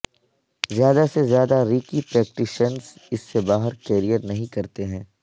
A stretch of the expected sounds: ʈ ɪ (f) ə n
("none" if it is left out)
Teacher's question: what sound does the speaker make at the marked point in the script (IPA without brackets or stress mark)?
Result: ʃ